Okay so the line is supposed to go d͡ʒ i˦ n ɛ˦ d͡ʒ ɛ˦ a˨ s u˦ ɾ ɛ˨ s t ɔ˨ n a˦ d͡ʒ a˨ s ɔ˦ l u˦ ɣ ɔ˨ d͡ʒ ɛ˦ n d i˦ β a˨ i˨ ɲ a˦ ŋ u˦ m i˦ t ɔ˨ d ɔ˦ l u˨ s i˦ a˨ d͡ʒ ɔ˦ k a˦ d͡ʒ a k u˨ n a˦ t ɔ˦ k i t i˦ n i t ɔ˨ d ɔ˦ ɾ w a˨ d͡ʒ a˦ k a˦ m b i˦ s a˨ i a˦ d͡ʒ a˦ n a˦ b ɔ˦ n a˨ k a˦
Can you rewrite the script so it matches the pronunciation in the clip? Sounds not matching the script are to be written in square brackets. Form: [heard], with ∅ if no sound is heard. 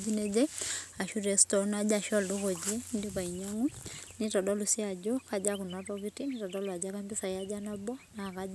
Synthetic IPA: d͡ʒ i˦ n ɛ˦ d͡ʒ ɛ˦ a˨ [ʃ] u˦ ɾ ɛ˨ s t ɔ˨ n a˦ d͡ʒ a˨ [ʃ] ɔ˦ l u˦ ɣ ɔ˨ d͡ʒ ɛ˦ n d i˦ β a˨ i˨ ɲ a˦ ŋ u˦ [n] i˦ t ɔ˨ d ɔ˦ l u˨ s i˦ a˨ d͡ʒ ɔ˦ k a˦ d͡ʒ a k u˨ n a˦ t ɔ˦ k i t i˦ n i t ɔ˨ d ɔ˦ [l] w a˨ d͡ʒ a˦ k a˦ m b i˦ s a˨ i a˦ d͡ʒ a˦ n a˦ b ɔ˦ n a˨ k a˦

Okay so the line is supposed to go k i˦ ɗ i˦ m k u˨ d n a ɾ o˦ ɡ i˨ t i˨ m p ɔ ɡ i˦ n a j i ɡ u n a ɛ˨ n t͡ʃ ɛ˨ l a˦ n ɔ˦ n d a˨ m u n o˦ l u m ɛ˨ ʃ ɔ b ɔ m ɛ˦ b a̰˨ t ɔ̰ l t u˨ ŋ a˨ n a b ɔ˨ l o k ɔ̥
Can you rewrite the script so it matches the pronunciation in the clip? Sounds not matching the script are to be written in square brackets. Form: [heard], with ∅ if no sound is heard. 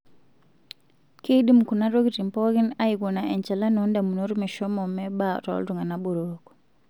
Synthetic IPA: k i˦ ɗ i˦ m k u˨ [∅] n a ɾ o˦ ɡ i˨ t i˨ m p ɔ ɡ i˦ n a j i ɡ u n a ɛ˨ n t͡ʃ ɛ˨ l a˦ n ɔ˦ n d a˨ m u n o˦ [ɾ] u m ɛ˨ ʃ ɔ [m] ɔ m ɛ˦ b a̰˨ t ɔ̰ l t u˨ ŋ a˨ n a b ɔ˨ [ɾ] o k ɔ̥

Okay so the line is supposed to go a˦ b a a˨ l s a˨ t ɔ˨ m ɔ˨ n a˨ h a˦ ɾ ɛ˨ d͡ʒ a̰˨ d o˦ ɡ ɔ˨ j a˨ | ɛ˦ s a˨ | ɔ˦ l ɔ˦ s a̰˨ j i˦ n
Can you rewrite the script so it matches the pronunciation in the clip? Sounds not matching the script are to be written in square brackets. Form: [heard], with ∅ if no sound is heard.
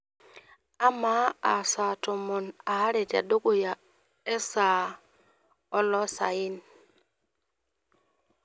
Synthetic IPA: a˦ [m] a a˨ [∅] s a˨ t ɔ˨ m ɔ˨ n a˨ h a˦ ɾ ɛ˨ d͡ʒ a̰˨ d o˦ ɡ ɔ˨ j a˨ | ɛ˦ s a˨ | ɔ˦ l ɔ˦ s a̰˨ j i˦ n

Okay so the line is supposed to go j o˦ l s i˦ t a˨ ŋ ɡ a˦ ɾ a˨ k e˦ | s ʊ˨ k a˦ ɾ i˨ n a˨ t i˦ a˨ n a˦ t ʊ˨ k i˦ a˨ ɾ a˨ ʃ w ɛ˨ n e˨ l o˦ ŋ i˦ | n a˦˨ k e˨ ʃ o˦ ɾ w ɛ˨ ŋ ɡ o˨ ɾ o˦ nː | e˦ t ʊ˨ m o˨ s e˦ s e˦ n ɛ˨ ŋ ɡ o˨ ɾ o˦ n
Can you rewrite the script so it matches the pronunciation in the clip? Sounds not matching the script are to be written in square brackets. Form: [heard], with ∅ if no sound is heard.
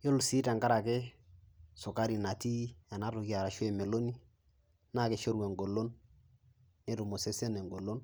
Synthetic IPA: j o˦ l s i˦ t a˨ ŋ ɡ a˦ ɾ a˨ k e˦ | s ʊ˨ k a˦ ɾ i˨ n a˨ t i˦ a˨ n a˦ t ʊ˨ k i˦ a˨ ɾ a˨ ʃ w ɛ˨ [m] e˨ l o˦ [n] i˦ | n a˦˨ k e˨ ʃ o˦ ɾ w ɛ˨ ŋ ɡ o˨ [l] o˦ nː | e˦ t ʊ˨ m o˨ s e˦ s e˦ n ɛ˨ ŋ ɡ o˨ [l] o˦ n

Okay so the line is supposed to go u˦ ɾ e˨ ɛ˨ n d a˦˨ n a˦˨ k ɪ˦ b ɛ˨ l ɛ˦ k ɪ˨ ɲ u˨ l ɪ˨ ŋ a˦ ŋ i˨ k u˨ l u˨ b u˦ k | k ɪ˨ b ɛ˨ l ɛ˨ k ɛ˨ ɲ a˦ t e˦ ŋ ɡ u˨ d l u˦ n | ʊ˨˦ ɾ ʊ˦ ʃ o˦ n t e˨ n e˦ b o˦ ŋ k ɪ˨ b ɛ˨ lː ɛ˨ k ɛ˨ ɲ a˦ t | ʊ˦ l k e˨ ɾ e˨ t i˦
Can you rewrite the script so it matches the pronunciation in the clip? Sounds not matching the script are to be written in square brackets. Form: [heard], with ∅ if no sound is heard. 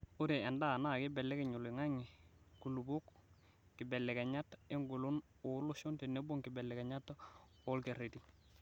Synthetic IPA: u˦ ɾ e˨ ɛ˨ n d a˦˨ n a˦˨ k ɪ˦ b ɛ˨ l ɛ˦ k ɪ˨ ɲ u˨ l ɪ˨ ŋ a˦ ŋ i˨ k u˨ l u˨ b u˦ k | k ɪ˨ b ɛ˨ l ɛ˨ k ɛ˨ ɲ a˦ t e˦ ŋ ɡ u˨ [∅] l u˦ n | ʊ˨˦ [l] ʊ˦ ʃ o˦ n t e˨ n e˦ b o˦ ŋ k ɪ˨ b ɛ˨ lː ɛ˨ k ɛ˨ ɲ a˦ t | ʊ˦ l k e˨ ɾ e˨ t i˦

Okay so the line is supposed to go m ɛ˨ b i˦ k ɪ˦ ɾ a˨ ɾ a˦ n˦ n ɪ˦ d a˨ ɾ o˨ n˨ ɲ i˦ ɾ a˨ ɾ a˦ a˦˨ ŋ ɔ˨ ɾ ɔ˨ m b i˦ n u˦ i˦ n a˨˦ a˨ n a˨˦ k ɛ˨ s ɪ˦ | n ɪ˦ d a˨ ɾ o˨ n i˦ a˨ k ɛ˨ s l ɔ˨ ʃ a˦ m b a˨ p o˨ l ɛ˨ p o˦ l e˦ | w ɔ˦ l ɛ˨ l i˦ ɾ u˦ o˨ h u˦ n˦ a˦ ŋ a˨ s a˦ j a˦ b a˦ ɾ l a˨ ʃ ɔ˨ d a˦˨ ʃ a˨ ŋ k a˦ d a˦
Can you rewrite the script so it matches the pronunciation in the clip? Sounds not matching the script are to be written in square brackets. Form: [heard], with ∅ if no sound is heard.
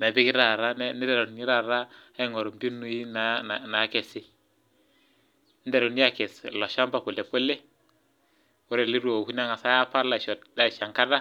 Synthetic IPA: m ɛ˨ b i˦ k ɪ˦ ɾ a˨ ɾ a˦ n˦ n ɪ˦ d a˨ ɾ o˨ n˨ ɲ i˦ ɾ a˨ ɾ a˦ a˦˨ ŋ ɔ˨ ɾ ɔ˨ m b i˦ n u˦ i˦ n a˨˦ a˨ n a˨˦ k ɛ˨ s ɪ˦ | n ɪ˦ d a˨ ɾ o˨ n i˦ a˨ k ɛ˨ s l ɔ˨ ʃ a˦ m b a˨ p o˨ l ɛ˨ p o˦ l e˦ | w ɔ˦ [ɾ] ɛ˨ l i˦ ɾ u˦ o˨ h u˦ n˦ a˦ ŋ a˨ s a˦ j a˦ [p] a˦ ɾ l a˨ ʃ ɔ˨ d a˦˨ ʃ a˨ ŋ k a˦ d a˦

